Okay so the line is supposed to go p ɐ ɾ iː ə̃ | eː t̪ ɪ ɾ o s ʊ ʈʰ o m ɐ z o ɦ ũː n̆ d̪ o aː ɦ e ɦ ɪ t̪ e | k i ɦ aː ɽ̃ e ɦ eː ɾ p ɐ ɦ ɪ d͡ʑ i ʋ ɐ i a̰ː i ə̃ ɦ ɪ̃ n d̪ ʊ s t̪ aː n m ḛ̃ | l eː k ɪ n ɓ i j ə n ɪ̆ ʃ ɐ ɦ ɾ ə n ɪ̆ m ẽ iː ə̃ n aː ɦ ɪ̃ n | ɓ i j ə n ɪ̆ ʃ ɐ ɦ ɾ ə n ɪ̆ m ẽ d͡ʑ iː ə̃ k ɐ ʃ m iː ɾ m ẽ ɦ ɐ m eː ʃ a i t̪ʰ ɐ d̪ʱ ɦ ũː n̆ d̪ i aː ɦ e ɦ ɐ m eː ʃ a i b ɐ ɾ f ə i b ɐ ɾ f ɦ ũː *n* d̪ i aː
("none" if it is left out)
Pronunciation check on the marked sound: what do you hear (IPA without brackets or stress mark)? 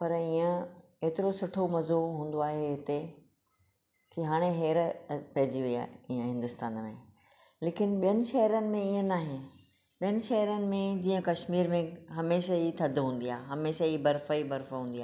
n